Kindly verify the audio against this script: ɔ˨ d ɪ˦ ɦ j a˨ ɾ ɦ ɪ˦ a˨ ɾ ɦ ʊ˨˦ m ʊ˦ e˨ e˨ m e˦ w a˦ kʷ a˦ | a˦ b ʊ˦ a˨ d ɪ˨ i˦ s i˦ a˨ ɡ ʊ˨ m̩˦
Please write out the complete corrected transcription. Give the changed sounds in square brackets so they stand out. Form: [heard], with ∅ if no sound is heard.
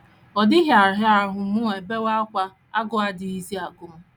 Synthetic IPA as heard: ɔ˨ d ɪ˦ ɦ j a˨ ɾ ɦ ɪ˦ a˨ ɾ ɦ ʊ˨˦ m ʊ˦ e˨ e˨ [b] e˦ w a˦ kʷ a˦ | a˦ [ɡ] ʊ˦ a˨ d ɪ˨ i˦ [z] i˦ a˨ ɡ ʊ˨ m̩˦